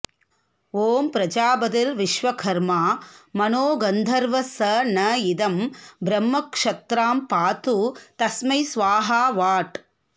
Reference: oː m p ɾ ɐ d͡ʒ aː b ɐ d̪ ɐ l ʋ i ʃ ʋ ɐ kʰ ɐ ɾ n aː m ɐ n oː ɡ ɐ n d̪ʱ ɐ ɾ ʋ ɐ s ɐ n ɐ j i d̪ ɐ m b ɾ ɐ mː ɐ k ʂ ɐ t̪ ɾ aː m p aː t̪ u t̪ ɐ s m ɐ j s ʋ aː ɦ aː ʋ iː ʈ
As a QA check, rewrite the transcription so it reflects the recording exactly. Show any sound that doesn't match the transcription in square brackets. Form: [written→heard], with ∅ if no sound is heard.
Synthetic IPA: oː m p ɾ ɐ d͡ʒ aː b ɐ d̪ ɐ l ʋ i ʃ ʋ ɐ kʰ ɐ ɾ [n→m] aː m ɐ n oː ɡ ɐ n d̪ʱ ɐ ɾ ʋ ɐ s ɐ n ɐ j i d̪ ɐ m b ɾ ɐ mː ɐ k ʂ ɐ t̪ ɾ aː m p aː t̪ u t̪ ɐ s m ɐ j s ʋ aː ɦ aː ʋ [iː→aː] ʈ